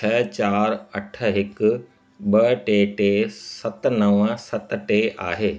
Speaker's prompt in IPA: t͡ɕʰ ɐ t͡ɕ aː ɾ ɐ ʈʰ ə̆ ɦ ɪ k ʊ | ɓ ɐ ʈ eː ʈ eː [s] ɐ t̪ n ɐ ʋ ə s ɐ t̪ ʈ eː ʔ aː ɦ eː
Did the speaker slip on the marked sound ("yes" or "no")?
no